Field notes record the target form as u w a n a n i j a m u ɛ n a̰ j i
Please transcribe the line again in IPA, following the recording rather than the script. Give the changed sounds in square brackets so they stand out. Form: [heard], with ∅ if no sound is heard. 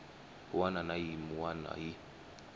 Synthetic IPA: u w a n a n [a] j [i] m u [a] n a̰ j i